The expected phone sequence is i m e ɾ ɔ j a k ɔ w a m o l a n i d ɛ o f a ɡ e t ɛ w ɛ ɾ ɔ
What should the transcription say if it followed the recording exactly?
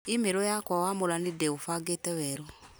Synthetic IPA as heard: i m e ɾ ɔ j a k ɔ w a m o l a n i d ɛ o f a ɡ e t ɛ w ɛ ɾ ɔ